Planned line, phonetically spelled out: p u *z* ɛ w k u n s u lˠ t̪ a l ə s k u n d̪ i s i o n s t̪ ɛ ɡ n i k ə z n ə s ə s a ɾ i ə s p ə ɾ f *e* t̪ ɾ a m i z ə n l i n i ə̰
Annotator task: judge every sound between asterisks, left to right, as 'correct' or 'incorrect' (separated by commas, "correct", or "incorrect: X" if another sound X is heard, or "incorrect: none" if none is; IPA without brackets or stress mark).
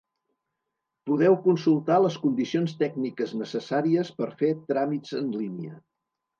incorrect: ð, correct